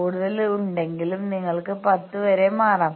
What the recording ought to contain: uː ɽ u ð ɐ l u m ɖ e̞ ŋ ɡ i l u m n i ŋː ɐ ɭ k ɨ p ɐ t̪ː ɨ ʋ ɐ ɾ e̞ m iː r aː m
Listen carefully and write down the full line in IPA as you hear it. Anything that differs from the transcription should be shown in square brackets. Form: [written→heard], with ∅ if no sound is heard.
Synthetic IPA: uː ɽ u ð ɐ l u [m→ɳ] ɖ e̞ ŋ ɡ i l u m n i ŋː ɐ ɭ k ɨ p ɐ t̪ː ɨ ʋ ɐ ɾ e̞ m [iː→aː] r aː m